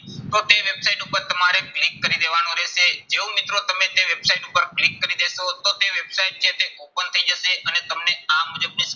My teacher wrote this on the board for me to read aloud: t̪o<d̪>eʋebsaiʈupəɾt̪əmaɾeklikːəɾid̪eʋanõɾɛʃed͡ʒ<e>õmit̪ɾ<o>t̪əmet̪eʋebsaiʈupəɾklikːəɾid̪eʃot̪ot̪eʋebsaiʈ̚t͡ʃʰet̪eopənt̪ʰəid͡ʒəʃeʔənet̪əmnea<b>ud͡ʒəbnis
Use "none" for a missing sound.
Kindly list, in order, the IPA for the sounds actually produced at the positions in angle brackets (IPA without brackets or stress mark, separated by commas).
t̪, e, o, m